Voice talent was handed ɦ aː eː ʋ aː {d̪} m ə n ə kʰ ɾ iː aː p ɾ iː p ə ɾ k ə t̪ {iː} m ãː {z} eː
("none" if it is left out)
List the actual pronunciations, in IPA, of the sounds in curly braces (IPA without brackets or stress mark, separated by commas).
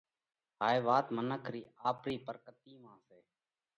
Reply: t̪, iː, s